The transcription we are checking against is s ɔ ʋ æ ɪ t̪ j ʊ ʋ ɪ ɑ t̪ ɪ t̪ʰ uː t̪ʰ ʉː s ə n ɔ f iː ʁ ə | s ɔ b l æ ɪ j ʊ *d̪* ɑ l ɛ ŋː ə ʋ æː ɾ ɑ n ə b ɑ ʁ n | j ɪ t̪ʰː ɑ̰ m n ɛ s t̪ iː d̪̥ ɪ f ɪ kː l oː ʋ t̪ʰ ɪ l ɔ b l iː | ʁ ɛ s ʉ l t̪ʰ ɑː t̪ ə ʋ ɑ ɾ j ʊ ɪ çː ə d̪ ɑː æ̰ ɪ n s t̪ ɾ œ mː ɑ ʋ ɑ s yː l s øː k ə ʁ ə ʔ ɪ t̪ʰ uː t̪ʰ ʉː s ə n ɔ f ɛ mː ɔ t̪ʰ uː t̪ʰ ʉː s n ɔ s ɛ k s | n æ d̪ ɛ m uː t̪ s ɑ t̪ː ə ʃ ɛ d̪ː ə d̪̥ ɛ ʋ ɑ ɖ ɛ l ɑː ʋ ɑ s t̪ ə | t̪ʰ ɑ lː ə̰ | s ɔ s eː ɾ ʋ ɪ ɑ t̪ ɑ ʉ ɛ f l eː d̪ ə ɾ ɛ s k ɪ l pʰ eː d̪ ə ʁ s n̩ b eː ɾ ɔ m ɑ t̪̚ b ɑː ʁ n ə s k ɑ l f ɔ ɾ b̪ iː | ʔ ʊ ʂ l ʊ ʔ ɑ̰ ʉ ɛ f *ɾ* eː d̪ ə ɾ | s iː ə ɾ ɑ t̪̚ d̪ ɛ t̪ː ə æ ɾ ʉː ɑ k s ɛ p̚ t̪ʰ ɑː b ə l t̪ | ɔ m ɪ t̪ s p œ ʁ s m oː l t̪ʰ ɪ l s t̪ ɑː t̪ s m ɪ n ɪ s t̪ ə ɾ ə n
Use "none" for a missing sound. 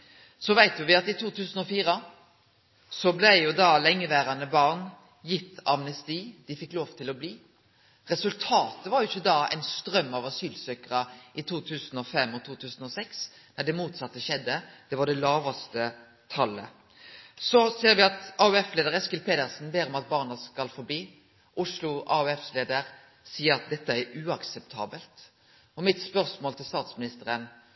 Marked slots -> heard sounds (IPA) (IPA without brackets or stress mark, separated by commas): d̪, l